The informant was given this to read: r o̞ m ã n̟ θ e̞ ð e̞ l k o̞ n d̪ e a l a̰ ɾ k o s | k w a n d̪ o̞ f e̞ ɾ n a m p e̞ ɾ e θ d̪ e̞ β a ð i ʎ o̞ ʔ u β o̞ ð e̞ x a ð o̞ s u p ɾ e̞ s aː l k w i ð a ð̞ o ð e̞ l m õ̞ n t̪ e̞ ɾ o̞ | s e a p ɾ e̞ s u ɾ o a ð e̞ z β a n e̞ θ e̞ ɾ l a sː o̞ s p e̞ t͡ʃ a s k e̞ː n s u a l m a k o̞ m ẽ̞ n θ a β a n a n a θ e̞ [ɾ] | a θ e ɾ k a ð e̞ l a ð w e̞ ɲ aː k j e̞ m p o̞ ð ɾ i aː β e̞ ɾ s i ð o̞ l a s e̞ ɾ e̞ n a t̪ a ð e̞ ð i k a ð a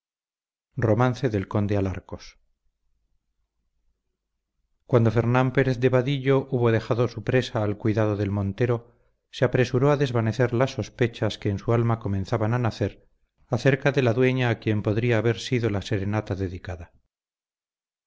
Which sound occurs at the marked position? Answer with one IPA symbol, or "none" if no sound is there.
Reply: ɾ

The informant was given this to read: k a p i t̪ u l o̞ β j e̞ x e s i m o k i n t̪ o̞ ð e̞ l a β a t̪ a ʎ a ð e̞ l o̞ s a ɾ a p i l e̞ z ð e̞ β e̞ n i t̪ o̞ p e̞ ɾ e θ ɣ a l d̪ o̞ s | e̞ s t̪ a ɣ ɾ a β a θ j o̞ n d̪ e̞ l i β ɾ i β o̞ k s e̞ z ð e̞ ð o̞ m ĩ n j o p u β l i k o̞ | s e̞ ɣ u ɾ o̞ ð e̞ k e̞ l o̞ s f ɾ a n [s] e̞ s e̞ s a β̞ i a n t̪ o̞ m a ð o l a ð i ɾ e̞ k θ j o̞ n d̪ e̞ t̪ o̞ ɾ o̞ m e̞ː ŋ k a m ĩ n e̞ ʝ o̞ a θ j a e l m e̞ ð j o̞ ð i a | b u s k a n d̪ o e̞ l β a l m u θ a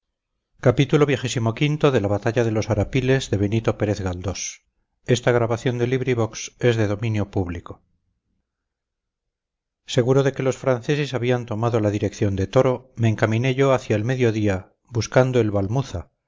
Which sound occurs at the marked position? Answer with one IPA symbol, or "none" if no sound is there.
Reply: θ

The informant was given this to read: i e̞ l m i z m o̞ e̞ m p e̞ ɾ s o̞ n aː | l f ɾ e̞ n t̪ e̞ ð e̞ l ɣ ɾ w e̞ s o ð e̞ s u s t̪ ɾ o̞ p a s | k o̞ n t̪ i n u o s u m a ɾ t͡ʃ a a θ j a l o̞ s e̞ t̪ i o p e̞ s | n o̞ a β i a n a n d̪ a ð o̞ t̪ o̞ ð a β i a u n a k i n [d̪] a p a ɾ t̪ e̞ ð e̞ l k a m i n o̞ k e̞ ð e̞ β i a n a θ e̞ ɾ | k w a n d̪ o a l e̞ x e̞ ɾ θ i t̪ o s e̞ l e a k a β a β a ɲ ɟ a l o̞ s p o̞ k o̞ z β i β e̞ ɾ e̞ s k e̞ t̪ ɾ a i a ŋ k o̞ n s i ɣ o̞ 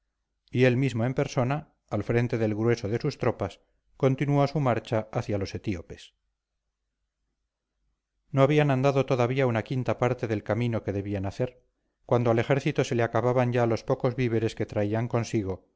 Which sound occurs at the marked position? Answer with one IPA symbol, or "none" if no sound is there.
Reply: t̪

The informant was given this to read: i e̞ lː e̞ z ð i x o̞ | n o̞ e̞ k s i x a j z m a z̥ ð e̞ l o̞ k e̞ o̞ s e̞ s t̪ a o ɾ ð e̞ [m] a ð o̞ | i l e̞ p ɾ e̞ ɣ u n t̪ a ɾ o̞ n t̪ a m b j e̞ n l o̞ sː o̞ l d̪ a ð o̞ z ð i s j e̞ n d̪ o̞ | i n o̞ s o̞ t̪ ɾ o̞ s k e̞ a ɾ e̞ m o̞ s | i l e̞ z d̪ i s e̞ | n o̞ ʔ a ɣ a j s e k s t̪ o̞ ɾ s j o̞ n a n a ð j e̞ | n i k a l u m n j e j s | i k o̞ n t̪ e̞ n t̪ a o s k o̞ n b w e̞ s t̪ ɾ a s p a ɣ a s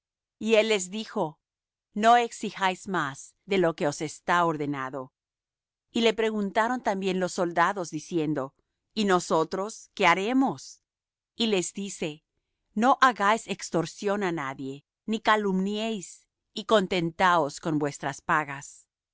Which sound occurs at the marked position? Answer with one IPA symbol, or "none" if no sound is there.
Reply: n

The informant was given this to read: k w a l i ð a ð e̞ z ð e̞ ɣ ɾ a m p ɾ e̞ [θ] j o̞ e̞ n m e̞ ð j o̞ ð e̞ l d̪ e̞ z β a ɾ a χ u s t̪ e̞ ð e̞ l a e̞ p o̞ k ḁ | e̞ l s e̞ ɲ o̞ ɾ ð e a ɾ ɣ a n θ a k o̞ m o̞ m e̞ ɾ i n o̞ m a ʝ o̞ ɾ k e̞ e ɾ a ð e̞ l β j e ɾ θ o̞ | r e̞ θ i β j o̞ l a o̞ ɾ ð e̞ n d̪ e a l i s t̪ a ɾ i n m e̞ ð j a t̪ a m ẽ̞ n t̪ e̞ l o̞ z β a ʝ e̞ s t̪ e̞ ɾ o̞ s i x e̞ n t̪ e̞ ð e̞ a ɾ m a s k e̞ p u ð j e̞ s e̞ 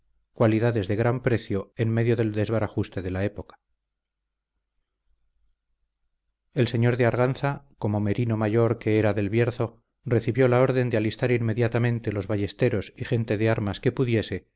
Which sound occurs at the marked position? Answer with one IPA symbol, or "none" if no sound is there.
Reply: θ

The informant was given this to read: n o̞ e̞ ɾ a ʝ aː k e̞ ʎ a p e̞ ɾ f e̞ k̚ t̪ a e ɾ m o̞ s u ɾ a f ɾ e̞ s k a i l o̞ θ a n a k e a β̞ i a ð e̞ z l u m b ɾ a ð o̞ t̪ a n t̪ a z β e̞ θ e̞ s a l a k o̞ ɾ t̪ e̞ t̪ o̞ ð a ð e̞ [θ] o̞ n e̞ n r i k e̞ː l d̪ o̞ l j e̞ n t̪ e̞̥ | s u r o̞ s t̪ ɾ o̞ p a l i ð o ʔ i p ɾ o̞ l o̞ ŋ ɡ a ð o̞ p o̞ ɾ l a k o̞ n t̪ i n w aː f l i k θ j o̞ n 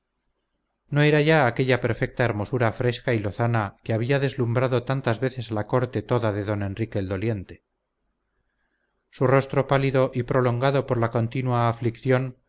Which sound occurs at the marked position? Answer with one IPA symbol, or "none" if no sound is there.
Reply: ð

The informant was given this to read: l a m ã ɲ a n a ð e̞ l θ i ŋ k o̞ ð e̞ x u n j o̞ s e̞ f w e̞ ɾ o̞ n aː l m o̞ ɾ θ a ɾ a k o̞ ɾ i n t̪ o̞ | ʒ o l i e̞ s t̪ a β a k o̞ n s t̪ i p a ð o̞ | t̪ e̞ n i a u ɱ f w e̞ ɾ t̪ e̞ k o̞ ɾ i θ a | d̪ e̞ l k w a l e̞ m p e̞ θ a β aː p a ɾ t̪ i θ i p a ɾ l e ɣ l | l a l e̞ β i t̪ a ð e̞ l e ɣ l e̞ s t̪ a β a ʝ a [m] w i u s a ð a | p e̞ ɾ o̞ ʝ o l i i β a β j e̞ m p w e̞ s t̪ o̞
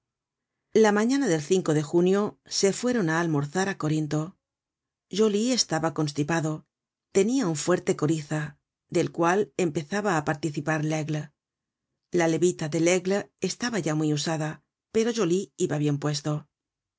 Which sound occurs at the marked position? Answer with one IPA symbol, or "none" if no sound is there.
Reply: m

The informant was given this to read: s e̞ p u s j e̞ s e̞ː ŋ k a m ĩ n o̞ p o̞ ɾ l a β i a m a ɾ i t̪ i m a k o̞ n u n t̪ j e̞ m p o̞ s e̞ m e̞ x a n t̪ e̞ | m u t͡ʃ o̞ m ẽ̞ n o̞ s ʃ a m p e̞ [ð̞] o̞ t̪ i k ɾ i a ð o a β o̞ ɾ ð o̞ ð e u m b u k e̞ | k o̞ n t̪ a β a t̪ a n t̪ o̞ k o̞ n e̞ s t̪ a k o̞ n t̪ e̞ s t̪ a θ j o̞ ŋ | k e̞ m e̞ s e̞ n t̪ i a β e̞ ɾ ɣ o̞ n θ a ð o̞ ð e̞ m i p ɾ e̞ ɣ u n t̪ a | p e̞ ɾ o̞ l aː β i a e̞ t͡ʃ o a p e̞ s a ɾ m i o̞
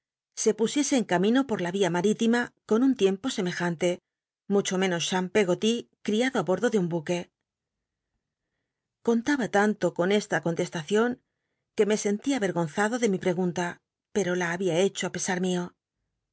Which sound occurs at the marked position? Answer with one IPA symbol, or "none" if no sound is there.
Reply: ɣ̞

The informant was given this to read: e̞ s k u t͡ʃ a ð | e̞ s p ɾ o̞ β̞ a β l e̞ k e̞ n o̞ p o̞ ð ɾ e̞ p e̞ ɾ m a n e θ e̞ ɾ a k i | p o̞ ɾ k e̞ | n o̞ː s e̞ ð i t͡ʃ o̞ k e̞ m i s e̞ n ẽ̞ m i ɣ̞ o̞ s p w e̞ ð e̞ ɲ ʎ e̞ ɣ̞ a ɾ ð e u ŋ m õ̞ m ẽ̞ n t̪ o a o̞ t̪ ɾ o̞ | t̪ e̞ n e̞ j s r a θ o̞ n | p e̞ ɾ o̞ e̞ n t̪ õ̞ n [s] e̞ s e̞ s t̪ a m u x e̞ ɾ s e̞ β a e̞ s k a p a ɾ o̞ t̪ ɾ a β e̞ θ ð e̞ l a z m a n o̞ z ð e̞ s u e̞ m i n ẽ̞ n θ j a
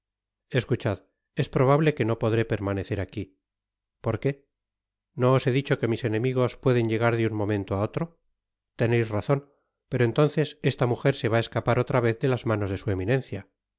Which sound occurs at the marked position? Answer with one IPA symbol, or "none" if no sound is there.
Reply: θ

